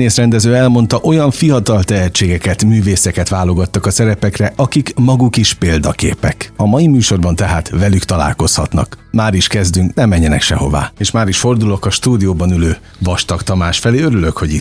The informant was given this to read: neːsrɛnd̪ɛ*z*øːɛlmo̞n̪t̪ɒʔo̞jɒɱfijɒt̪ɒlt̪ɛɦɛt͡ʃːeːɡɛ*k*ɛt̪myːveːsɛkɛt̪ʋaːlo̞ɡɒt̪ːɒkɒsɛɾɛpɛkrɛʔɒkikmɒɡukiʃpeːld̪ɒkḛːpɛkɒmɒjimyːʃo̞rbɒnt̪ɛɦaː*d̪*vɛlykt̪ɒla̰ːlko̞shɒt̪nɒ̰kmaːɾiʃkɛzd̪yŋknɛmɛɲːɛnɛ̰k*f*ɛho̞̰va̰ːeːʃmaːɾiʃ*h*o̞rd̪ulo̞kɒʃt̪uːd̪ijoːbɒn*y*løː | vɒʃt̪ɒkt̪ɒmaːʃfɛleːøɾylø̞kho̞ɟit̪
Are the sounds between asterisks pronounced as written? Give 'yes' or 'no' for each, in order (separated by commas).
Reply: yes, yes, no, no, no, yes